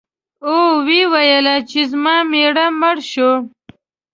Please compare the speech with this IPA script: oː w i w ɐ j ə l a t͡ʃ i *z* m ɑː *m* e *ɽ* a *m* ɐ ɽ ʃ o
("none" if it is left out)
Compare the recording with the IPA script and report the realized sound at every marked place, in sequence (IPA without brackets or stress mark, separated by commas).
z, m, ɽ, m